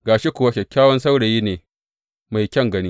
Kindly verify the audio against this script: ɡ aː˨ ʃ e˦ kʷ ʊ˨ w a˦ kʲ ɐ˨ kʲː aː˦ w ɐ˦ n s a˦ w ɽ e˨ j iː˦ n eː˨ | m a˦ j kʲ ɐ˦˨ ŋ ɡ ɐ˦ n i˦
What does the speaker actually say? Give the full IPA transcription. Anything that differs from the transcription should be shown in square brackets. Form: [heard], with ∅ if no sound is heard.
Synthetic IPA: ɡ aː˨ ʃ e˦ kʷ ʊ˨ w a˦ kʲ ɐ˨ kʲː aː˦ w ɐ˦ n s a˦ w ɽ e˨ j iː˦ n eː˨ | m [a˨] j kʲ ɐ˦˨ ŋ ɡ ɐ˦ n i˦